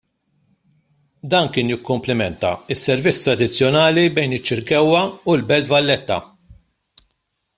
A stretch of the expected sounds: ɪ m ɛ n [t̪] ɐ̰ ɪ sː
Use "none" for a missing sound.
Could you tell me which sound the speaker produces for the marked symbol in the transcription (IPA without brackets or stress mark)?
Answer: t̪